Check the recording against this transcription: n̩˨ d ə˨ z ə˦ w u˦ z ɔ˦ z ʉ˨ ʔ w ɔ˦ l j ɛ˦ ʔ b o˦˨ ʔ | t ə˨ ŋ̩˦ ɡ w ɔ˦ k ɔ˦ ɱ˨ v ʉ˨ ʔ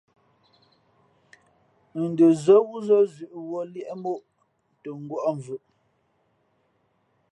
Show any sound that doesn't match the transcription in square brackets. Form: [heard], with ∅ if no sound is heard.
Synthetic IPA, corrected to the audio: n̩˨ d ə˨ z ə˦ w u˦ z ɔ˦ z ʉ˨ ʔ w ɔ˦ l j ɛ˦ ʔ [m] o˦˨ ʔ | t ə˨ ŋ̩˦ ɡ w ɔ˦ [ʔ] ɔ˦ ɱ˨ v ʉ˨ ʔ